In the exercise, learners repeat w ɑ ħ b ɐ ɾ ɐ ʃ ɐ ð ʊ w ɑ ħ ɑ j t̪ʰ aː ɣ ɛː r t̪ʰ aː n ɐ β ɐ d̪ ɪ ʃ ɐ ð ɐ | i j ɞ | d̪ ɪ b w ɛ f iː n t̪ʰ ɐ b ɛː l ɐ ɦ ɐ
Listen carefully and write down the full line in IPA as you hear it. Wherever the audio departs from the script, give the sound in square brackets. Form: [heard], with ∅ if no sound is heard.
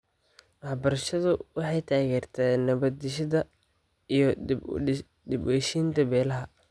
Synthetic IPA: w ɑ ħ b ɐ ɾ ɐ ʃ ɐ ð ʊ w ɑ ħ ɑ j t̪ʰ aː ɣ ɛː r t̪ʰ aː n ɐ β ɐ d̪ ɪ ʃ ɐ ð ɐ | i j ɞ | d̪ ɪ b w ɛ [ʃ] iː n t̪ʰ ɐ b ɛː l ɐ ɦ ɐ